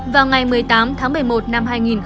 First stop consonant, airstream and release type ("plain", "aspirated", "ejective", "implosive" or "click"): plain